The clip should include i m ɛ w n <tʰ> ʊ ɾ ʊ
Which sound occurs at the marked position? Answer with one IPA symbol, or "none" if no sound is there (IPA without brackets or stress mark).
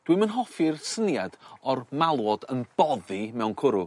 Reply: kʰ